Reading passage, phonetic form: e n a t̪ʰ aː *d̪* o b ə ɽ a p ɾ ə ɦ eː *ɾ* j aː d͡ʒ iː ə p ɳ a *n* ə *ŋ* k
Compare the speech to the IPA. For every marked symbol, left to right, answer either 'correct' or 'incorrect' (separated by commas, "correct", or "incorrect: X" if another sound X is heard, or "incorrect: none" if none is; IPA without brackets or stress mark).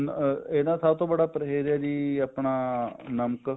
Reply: incorrect: t̪, correct, correct, incorrect: m